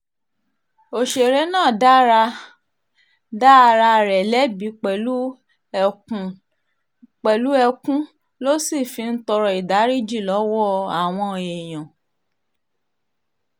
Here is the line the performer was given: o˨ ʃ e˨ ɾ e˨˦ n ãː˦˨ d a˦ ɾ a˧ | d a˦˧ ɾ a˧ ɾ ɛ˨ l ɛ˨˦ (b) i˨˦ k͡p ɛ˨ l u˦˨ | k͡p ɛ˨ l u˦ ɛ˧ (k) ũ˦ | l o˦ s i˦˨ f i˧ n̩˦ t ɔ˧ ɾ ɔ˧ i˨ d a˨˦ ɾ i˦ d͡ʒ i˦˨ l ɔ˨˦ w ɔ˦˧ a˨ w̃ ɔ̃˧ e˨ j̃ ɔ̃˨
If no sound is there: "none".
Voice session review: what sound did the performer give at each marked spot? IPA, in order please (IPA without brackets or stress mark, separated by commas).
b, k